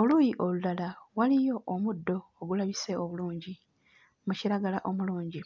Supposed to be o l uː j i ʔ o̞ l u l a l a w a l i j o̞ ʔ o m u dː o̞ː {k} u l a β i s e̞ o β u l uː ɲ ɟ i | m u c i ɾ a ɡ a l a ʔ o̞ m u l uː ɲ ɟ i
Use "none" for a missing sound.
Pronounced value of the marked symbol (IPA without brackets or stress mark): ɡ